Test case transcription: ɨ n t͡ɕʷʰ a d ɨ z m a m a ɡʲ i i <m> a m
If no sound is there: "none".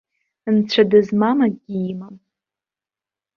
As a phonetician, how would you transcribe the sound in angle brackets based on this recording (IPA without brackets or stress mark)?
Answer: m